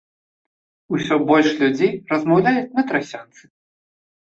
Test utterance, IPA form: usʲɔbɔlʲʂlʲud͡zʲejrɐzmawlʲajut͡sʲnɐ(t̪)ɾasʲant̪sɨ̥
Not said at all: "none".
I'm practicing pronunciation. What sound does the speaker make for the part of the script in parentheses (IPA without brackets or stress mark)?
t̪